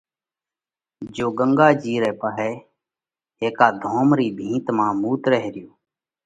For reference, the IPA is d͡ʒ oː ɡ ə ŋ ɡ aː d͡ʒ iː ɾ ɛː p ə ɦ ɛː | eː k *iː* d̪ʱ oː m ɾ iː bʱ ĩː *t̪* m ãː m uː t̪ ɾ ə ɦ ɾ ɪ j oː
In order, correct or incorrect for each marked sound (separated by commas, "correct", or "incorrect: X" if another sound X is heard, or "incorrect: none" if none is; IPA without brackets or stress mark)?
incorrect: aː, correct